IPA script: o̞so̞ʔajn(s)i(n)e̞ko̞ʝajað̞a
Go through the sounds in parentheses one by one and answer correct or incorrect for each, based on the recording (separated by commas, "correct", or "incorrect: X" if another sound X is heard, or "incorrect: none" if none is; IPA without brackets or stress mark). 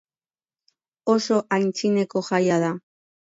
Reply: incorrect: t͡s, correct